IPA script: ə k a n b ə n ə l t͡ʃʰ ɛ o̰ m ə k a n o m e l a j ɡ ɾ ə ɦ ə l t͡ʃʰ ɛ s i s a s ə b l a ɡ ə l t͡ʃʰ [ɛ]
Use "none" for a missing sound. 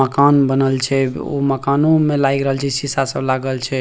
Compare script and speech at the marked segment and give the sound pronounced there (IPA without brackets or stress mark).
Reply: ɛ